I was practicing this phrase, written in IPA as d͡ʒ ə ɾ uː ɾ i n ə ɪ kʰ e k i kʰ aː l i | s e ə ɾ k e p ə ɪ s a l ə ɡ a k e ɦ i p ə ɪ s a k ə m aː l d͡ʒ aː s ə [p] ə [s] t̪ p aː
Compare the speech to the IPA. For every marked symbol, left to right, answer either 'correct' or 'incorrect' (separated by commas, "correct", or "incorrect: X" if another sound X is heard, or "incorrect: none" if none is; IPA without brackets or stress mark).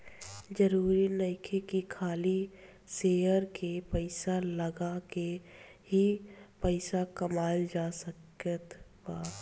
incorrect: k, incorrect: none